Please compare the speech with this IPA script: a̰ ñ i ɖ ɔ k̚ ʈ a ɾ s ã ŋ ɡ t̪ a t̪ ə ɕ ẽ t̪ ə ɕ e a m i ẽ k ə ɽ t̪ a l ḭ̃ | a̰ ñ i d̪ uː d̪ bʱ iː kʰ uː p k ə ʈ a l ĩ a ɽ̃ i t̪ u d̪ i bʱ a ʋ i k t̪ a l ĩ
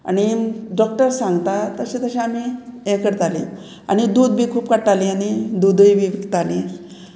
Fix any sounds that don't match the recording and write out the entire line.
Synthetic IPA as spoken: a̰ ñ i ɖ ɔ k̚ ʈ ə ɾ s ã ŋ ɡ t̪ a t̪ ə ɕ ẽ t̪ ə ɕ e a m i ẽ k ə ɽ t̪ a l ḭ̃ | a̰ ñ i d̪ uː d̪ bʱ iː kʰ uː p k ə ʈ a l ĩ a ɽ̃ i d̪ u d̪ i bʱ i ʋ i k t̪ a l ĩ